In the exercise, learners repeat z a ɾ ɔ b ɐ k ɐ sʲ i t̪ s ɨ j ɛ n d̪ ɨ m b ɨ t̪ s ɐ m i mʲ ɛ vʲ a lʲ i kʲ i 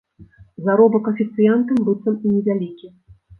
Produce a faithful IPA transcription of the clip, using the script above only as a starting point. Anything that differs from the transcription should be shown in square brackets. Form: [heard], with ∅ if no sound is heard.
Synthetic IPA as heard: z a ɾ ɔ b ɐ k ɐ [fʲ] i t̪ s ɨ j [a] n [t̪] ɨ m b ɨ t̪ s ɐ m i [nʲ] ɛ vʲ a lʲ i kʲ i

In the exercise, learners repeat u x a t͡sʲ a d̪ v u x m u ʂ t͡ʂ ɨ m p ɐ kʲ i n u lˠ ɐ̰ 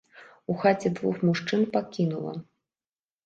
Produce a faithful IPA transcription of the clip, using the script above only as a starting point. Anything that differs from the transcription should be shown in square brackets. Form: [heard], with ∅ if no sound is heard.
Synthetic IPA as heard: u x a t͡sʲ [ɛ] d̪ v u x m u ʂ t͡ʂ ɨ [n] p [a] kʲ i n u lˠ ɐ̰

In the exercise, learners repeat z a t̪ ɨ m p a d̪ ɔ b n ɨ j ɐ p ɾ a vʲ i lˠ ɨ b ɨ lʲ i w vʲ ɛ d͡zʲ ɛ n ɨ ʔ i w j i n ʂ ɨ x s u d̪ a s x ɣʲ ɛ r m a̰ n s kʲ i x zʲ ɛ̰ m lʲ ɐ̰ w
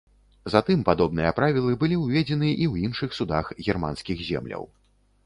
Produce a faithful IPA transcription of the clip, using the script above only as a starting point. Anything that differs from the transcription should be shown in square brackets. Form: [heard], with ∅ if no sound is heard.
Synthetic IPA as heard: z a t̪ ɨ m p a d̪ ɔ b n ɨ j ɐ p ɾ a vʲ i lˠ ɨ b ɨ lʲ i w vʲ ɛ d͡zʲ ɛ n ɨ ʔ i w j i n ʂ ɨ x s u d̪ a [∅] x ɣʲ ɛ r m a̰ n s kʲ i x zʲ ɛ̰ m lʲ ɐ̰ w

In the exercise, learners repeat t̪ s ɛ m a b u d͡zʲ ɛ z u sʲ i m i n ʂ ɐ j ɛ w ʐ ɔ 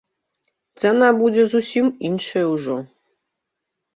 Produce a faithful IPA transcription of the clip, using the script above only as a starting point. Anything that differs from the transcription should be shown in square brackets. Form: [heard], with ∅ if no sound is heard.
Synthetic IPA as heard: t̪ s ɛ [n] a b u d͡zʲ ɛ z u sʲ i m i n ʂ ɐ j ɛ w ʐ ɔ

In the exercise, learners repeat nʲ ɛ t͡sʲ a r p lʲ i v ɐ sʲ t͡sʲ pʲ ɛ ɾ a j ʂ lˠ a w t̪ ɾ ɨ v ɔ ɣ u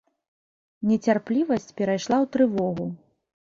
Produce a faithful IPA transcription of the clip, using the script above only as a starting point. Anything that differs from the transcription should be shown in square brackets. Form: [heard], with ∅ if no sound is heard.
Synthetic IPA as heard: nʲ ɛ t͡sʲ a r p lʲ i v ɐ sʲ t͡sʲ pʲ ɛ ɾ a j ʂ lˠ a w t̪ ɾ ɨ v ɔ ɣ u

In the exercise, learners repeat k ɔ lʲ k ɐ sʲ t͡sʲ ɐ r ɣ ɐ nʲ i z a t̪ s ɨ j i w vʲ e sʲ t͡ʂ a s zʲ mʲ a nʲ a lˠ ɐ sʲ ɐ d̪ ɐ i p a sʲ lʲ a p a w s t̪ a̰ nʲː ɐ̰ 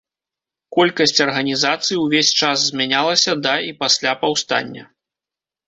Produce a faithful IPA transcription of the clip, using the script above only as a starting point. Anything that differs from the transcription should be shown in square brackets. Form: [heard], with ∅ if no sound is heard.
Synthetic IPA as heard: k ɔ lʲ k ɐ sʲ t͡sʲ ɐ r ɣ ɐ nʲ i z a t̪ s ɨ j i w vʲ e sʲ t͡ʂ a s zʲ mʲ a nʲ a lˠ ɐ sʲ ɐ d̪ ɐ i p a sʲ lʲ a p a w s t̪ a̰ nʲː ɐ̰

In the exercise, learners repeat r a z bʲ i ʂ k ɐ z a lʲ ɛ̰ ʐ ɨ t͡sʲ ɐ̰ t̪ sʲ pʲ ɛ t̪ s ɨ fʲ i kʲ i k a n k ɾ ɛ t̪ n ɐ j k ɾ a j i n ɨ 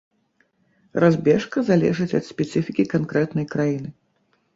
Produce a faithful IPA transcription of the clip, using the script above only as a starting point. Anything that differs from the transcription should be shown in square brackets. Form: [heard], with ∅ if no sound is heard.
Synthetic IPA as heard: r a z bʲ [ɛ] ʂ k ɐ z a lʲ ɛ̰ ʐ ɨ t͡sʲ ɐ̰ t̪ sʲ pʲ ɛ t̪ s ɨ fʲ i kʲ i k a n k ɾ ɛ t̪ n ɐ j k ɾ a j i n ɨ

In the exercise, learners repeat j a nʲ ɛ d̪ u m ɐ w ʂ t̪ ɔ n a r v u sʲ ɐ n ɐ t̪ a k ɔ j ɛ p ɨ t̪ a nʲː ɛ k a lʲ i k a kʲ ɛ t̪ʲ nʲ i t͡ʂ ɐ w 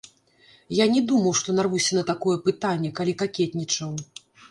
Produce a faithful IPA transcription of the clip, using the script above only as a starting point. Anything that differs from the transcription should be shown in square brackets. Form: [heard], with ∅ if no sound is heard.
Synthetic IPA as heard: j a nʲ ɛ d̪ u m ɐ w ʂ t̪ ɔ n a r v u sʲ ɐ n ɐ t̪ a k ɔ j ɛ p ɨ t̪ a nʲː ɛ k a lʲ i k a kʲ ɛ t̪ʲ nʲ i t͡ʂ ɐ w

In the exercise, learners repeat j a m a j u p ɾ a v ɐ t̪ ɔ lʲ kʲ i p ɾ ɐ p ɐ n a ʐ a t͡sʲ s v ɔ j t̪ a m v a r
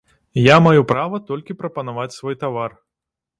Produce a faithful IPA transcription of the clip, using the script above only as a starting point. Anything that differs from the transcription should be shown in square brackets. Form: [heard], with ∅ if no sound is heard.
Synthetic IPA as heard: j a m a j u p ɾ a v ɐ t̪ ɔ lʲ kʲ i p ɾ ɐ p ɐ n a [v] a t͡sʲ s v ɔ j t̪ a [∅] v a r

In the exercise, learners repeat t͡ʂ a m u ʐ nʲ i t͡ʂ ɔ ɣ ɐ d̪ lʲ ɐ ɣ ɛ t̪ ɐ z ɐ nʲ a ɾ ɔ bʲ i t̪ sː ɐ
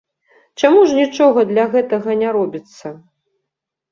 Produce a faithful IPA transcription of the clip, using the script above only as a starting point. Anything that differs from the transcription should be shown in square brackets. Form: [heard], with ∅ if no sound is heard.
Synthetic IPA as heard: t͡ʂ a m u ʐ nʲ i t͡ʂ ɔ ɣ ɐ d̪ lʲ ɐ ɣ ɛ t̪ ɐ [ɣ] ɐ nʲ a ɾ ɔ bʲ i t̪ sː ɐ

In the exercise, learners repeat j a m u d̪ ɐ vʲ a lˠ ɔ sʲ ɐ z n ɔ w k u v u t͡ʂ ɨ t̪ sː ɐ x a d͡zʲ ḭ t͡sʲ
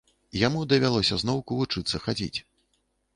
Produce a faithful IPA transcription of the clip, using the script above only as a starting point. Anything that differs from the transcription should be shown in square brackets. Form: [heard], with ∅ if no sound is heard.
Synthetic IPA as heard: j a m u d̪ ɐ vʲ a lˠ ɔ sʲ ɐ z n ɔ w k u v u t͡ʂ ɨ t̪ sː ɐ x a d͡zʲ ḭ t͡sʲ

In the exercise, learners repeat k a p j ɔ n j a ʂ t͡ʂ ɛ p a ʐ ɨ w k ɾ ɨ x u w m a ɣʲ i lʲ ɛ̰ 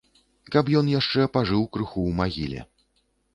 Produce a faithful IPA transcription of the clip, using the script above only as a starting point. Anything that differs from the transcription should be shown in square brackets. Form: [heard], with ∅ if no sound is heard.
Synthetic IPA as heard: k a p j ɔ n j a ʂ t͡ʂ ɛ p a ʐ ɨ w k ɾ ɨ x u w m a ɣʲ i lʲ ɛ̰

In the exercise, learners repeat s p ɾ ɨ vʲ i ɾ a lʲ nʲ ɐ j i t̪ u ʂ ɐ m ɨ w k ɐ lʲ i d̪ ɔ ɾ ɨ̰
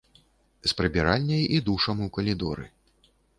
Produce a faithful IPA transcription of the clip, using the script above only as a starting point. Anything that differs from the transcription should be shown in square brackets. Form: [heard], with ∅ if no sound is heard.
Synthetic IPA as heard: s p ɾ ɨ [bʲ] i ɾ a lʲ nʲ ɐ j i [d̪] u ʂ ɐ m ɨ w k ɐ lʲ i d̪ ɔ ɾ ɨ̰

